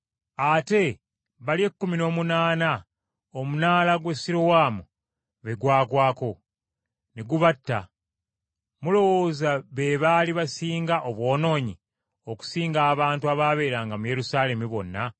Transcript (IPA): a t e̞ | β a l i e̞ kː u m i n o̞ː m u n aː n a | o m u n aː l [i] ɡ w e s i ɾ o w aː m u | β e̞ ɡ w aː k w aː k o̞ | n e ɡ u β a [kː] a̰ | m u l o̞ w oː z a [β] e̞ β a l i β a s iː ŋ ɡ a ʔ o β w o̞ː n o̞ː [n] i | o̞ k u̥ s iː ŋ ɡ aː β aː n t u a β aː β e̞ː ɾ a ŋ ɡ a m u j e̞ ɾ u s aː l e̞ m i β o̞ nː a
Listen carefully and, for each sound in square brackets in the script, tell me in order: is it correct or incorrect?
incorrect, incorrect, correct, incorrect

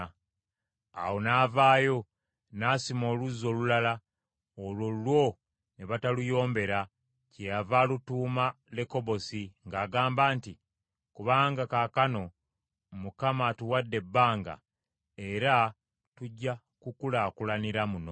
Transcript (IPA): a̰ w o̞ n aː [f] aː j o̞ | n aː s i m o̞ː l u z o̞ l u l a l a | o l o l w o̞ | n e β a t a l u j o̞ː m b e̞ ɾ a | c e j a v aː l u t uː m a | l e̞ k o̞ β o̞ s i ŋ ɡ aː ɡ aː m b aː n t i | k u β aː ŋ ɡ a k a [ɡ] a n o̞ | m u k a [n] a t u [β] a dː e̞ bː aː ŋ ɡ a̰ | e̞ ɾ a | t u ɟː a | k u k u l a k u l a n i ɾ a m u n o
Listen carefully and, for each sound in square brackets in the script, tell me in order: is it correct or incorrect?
incorrect, incorrect, incorrect, incorrect

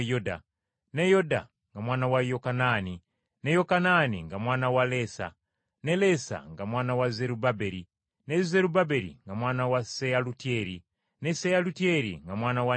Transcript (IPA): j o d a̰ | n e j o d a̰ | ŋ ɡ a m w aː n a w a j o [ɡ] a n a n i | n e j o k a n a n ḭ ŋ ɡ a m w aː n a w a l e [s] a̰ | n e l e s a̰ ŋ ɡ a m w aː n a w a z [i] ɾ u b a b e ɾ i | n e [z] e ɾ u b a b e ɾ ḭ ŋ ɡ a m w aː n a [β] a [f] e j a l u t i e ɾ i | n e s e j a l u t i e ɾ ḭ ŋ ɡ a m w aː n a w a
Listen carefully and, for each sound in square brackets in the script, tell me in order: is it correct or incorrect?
incorrect, correct, incorrect, correct, incorrect, incorrect

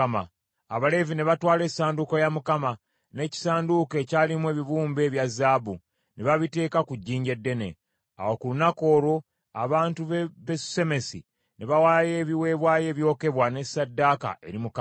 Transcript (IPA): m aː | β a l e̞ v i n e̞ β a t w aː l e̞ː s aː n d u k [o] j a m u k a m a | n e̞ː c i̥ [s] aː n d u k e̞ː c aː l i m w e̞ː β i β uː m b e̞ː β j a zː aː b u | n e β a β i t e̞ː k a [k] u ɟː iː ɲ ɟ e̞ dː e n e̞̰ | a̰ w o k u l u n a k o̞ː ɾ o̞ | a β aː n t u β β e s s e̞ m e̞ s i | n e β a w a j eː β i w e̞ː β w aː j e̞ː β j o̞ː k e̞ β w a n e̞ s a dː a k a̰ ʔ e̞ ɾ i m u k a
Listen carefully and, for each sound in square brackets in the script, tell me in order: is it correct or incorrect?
correct, correct, correct

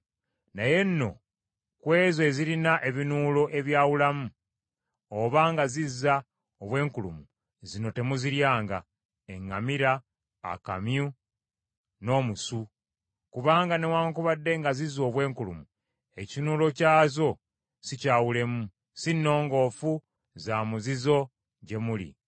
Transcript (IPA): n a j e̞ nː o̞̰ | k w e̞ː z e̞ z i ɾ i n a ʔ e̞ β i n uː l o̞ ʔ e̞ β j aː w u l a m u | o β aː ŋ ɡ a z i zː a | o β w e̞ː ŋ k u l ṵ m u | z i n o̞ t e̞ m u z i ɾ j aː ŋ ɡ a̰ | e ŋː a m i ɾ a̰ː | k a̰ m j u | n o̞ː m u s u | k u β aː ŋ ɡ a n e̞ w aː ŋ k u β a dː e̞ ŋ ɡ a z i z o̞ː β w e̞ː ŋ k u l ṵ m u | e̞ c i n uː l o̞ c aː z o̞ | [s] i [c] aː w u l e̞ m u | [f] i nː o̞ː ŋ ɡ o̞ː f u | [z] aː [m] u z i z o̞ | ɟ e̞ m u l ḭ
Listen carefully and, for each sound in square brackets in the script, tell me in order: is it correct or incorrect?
correct, correct, incorrect, correct, correct

